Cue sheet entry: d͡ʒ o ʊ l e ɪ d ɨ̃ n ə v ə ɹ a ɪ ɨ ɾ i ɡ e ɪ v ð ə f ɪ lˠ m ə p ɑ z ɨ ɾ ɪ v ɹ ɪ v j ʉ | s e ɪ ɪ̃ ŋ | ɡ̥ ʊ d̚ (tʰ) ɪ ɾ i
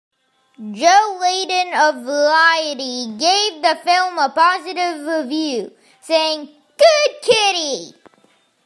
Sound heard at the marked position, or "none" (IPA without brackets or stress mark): kʰ